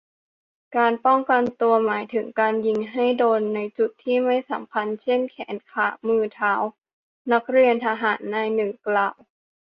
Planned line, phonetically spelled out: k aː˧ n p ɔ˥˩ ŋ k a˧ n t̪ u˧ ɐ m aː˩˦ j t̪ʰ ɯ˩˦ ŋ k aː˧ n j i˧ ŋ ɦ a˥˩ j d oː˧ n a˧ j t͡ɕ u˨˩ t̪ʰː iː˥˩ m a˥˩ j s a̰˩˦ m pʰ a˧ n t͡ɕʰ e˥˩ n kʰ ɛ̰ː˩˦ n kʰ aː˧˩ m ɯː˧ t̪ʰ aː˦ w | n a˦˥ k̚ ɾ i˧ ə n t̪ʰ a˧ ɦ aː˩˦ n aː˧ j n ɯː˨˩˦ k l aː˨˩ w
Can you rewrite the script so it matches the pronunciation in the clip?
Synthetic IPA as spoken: k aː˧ n p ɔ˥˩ ŋ k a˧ n t̪ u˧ ɐ m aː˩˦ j t̪ʰ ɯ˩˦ ŋ k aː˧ n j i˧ ŋ ɦ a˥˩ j d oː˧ nː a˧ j t͡ɕ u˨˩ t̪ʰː iː˥˩ m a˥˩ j s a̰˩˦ m pʰ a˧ n t͡ɕʰ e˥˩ n kʰ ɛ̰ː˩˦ n kʰ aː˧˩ m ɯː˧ t̪ʰ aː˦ w | n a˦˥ k̚ ɾ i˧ ə n t̪ʰ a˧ ɦ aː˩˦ nː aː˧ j n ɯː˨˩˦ k l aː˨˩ w